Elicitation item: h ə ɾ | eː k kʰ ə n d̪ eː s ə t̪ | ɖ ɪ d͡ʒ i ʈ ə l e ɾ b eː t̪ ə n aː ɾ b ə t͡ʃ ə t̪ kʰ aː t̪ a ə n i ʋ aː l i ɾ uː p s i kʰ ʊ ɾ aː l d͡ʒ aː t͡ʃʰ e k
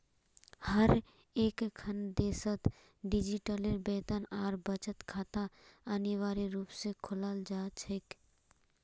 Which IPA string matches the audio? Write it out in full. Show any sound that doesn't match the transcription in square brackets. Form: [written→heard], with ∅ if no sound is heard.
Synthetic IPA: h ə ɾ | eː k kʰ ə n d̪ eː s ə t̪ | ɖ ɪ d͡ʒ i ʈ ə l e ɾ b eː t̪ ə n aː ɾ b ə t͡ʃ ə t̪ kʰ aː t̪ a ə n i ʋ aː [l→ɾ] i ɾ uː p s [i→e] kʰ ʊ [ɾ→l] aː l d͡ʒ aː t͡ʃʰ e k